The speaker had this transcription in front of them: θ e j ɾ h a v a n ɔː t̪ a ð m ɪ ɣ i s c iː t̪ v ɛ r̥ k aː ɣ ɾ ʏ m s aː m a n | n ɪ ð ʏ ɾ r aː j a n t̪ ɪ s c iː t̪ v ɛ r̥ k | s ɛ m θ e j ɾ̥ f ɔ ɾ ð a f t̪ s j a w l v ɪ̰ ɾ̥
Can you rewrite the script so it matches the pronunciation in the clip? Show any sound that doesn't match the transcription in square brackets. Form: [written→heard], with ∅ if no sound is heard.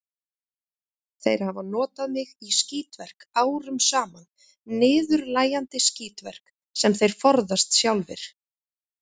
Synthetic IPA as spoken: θ e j ɾ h a v a n ɔː t̪ a ð m ɪ ɣ i s c iː t̪ v ɛ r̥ k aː [ɣ→w] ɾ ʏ m s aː m a n | n [ɪ→ɪː] ð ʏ ɾ [r→l] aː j a n t̪ ɪ s c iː t̪ v ɛ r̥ k | s ɛ m θ e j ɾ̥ f ɔ ɾ ð a [f→s] t̪ s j a w l v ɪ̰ ɾ̥